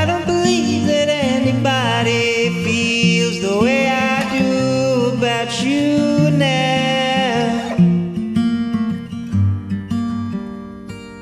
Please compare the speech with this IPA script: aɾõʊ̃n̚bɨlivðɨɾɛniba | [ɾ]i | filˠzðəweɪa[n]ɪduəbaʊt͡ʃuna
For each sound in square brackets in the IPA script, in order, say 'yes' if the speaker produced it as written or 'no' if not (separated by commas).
yes, no